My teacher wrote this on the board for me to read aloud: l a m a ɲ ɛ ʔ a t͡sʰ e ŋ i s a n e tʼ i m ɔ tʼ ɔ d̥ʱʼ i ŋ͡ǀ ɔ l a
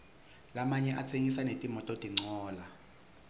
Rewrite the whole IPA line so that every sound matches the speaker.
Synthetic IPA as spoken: l a m a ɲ ɛ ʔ a t͡sʰ e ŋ i s a n e tʼ i m ɔ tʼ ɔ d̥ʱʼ i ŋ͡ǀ ɔː l a